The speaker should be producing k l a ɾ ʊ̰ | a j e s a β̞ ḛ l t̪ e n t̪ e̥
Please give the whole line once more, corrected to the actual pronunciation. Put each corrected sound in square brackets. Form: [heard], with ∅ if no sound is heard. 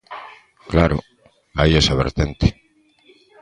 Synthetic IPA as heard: k l a ɾ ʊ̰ | a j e s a β̞ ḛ [ɾ] t̪ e n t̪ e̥